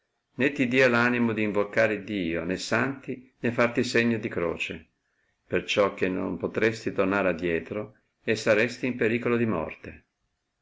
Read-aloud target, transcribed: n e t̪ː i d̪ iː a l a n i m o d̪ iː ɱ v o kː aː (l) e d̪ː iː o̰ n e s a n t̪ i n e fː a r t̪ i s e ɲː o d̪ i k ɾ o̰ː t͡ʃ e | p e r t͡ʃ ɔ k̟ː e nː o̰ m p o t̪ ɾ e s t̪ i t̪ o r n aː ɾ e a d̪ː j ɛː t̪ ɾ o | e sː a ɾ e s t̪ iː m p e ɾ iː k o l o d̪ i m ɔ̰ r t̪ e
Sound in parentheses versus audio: incorrect: ɾ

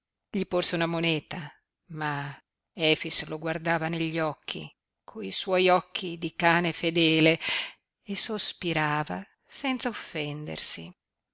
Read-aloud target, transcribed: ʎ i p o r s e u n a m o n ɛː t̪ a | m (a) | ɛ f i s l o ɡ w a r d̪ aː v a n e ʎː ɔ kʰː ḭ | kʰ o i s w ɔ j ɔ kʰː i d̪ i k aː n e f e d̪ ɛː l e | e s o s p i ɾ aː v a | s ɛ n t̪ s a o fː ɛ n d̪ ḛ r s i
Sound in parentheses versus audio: correct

